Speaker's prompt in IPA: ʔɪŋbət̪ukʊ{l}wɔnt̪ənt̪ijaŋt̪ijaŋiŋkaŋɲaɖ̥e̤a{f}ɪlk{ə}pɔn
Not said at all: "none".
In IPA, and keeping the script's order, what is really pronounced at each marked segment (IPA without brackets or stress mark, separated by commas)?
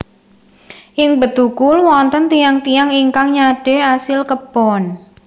l, s, ə